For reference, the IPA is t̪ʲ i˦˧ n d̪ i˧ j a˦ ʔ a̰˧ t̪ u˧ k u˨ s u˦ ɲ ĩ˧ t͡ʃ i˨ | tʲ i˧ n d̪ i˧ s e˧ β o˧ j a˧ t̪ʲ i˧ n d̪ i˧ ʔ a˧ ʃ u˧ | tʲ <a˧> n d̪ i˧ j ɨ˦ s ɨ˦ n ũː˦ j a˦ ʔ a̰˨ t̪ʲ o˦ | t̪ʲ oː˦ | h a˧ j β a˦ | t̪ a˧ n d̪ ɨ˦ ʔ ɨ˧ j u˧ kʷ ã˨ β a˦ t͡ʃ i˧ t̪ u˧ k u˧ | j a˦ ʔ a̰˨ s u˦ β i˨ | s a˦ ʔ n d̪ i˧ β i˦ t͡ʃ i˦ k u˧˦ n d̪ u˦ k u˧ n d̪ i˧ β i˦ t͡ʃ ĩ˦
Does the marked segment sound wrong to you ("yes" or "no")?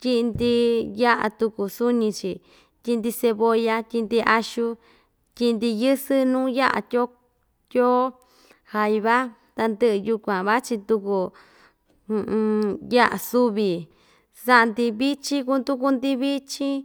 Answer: yes